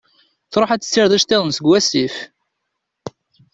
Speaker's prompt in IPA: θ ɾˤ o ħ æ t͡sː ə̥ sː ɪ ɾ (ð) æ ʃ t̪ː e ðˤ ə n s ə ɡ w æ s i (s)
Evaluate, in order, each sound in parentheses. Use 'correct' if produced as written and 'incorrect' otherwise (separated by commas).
correct, incorrect